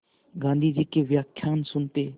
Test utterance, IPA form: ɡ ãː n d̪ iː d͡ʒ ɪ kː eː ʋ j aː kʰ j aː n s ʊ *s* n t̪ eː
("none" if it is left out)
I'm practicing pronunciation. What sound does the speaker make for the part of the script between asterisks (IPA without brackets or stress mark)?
none